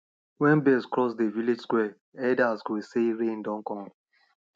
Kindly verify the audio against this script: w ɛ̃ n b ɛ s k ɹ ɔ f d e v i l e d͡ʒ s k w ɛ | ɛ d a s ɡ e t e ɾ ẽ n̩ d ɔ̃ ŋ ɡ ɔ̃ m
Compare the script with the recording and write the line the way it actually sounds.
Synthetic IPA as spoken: w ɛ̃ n b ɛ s k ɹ ɔ s d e v i l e d͡ʒ s k w ɛ | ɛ d a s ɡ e s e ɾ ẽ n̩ d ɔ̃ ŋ k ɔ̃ ŋ